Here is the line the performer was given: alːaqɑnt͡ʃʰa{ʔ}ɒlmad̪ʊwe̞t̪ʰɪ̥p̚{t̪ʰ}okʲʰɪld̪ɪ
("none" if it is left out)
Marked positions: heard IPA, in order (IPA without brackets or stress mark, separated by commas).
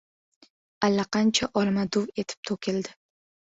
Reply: ʔ, t̪ʰ